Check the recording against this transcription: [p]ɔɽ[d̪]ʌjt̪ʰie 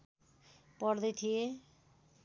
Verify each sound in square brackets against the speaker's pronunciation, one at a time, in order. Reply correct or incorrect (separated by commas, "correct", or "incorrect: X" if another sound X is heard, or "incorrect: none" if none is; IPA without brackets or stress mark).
correct, correct